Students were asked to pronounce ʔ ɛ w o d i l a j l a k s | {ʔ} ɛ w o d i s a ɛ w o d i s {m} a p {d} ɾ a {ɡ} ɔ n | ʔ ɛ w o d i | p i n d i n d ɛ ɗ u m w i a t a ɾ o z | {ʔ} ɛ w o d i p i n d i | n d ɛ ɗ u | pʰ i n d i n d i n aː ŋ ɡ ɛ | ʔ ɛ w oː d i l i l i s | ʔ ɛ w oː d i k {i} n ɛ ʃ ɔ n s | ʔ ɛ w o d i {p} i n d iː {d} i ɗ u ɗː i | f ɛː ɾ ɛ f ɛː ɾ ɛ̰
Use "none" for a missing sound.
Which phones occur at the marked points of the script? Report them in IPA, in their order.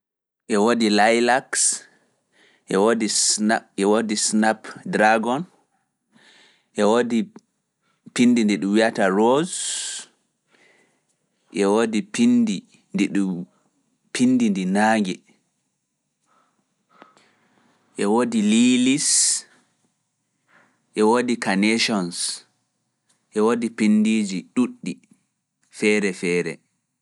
ʔ, n, d, ɡ, ʔ, a, p, d͡ʒ

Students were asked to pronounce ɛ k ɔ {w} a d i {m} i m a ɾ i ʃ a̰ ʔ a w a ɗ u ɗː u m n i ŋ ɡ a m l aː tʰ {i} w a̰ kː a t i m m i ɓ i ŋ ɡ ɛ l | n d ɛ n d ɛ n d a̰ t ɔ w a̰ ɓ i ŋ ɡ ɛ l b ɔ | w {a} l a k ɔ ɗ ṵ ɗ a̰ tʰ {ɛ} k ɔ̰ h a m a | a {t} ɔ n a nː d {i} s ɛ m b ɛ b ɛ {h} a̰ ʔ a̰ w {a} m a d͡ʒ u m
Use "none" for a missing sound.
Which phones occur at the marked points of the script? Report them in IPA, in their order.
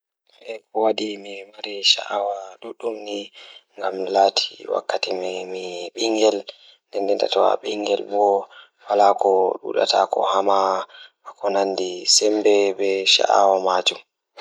w, m, i, a, a, k, i, ʃ, a

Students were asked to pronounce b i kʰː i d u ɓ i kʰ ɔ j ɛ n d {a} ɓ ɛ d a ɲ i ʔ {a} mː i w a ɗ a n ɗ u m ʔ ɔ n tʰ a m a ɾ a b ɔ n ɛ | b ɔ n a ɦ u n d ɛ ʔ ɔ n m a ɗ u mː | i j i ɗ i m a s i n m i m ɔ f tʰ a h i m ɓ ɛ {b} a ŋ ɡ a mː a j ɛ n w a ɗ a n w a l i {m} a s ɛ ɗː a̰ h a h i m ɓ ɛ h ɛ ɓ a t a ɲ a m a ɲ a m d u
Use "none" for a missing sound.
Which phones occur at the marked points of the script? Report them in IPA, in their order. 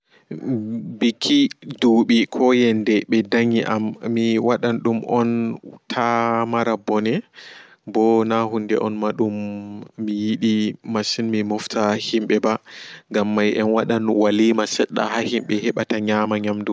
ɛ, a, b, m

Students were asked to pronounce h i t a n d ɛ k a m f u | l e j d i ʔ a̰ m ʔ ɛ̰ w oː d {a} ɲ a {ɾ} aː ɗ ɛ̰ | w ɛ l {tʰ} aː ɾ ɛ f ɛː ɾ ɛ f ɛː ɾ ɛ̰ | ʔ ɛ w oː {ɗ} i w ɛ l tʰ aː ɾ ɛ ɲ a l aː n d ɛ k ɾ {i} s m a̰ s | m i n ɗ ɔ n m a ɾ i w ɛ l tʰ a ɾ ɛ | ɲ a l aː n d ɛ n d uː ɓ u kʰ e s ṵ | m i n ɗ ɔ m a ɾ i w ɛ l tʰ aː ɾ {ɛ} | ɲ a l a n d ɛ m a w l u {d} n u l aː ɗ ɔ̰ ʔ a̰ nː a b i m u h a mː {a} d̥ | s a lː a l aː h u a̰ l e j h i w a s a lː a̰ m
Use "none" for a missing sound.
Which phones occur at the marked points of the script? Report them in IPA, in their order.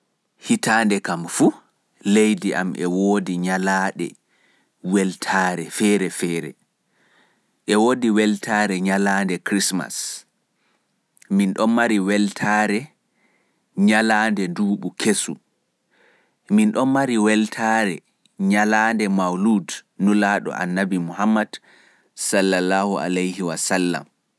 i, l, tʰ, d, i, ɛ, d, a

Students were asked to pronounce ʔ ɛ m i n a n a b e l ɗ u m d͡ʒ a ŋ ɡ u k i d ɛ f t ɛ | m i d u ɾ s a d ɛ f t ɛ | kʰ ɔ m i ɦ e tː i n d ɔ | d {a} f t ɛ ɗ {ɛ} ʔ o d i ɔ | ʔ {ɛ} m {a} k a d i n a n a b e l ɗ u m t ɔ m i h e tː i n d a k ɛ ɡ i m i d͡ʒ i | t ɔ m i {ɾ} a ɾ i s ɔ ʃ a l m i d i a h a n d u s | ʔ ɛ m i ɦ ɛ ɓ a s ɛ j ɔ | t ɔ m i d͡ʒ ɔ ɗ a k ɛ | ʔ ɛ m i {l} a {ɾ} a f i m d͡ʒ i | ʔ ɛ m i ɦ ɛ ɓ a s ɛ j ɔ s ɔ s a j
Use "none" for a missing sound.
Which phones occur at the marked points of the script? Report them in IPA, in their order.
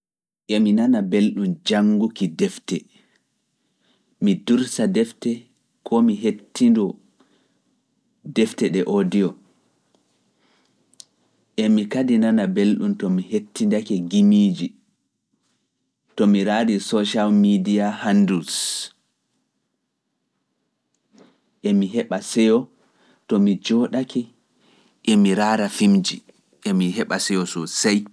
ɛ, ɛ, ɛ, i, ɾ, ɾ, ɾ

